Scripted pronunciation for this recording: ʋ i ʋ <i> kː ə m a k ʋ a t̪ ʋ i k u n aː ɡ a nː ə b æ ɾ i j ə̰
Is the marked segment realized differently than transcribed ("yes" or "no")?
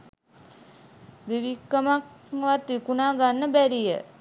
no